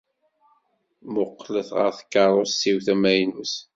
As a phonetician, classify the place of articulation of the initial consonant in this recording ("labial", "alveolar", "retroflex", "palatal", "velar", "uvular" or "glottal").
labial